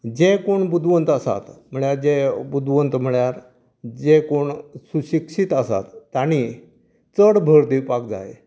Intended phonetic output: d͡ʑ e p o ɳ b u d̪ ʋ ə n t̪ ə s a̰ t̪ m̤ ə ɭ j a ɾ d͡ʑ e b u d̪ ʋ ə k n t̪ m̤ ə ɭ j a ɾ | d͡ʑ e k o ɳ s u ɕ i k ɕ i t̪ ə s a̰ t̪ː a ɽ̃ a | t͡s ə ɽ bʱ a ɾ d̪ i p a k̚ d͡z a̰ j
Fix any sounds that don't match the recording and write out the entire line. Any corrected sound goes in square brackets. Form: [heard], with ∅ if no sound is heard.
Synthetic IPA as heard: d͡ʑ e [k] o ɳ b u d̪ ʋ ə n t̪ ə s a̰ t̪ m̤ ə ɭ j a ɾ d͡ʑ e b u d̪ ʋ ə [∅] n t̪ m̤ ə ɭ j a ɾ | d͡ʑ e k o ɳ s u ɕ i k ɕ i t̪ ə s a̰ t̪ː a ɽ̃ [i] | t͡s ə ɽ bʱ [ə] ɾ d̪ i p a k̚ d͡z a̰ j